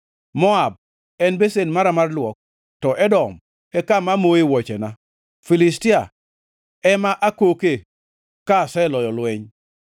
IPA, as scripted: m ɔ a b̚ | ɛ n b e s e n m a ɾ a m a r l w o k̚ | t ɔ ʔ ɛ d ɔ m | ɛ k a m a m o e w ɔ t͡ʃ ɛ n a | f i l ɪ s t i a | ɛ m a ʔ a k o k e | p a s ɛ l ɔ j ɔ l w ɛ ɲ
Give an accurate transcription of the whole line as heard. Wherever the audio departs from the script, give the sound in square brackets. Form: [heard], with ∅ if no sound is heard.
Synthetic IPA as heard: m ɔ a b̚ | ɛ n b e s e n m a ɾ a m a r l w [ɔ] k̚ | t ɔ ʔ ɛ d ɔ m | ɛ k a m a m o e w ɔ t͡ʃ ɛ n a | f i l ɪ s t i a | ɛ m a ʔ a k o k e | [k] a s ɛ l ɔ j ɔ l w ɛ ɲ

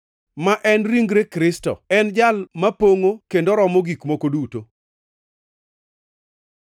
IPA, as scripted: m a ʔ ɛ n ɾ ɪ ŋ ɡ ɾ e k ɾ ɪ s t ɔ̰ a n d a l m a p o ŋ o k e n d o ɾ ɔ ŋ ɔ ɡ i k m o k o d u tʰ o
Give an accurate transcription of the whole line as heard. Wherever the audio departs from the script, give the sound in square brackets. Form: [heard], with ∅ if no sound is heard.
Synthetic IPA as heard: m a ʔ ɛ n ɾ [i] ŋ ɡ ɾ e k ɾ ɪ s t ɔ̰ [ɛ] n [d͡ʒ] a l m a p o ŋ o k e n d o ɾ ɔ [m] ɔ ɡ i k m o k o d u [t] o

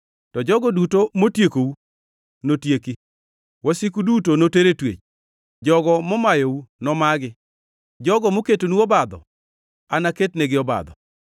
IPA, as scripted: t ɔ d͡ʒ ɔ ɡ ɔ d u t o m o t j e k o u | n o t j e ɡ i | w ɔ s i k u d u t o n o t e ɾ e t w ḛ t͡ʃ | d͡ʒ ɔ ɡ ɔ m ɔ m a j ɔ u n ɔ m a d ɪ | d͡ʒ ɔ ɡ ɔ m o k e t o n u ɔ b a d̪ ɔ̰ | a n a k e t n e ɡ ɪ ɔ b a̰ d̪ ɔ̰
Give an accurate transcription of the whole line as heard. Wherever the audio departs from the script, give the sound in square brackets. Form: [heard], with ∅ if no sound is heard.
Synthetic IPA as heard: t ɔ d͡ʒ ɔ ɡ ɔ d u t o m o t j e k o u | n o t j e [k] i | w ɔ s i k u d u t o n o t e ɾ e t w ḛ t͡ʃ | d͡ʒ ɔ ɡ ɔ m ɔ m a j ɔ u n ɔ m a [ɡ] ɪ | d͡ʒ ɔ ɡ ɔ m o k e t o n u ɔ b a d̪ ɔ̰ | a n a k e t n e ɡ ɪ ɔ b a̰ d̪ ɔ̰

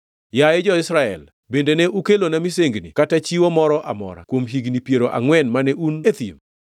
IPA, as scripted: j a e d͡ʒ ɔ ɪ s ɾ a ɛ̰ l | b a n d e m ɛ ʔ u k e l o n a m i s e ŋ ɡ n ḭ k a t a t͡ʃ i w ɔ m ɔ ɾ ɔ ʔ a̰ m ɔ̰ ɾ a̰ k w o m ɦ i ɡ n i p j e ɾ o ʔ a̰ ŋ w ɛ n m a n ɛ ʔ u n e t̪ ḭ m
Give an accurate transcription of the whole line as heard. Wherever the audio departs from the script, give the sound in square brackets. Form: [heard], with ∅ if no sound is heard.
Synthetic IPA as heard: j a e d͡ʒ ɔ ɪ s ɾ a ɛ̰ l | b [e] n d e [n] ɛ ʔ u k e l o n a m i s e ŋ ɡ n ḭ k a t a t͡ʃ i w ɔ m ɔ ɾ ɔ ʔ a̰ m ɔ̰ ɾ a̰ k w o m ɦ i ɡ n i p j e ɾ o ʔ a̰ ŋ w ɛ n m a n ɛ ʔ u n e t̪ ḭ m

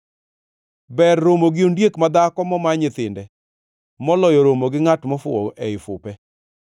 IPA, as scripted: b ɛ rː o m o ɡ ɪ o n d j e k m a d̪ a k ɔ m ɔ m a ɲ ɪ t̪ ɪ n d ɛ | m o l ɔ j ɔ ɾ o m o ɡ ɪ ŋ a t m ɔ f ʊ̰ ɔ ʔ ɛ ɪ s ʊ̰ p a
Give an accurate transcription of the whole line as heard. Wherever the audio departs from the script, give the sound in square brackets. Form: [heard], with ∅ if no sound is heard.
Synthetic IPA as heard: b ɛ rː o m o ɡ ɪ o n d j e k m a d̪ a k ɔ m ɔ m a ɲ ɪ t̪ ɪ n d ɛ | m [ɔ] l ɔ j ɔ ɾ o m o ɡ ɪ ŋ a t m ɔ f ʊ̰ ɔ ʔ ɛ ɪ [f] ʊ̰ p [ɛ]

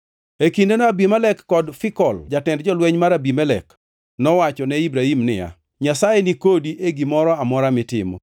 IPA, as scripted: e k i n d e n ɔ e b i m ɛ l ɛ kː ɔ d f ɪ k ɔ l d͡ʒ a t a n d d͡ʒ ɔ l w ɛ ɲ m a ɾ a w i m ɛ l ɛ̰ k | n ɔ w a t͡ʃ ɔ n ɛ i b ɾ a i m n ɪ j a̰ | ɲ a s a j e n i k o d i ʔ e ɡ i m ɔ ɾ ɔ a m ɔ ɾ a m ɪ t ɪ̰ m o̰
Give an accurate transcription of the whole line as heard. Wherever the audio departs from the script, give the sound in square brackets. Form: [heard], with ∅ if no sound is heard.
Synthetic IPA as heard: e k i n d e n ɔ [a] b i m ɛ l ɛ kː ɔ d f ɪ k ɔ l d͡ʒ a t [ɛ] n d d͡ʒ ɔ l w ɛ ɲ m a ɾ a [b] i m ɛ l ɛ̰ k | n ɔ w a t͡ʃ ɔ n ɛ i b ɾ a i m n ɪ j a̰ | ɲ a s a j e n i k o d i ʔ e ɡ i m ɔ ɾ ɔ a m ɔ ɾ a m ɪ t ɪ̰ m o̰

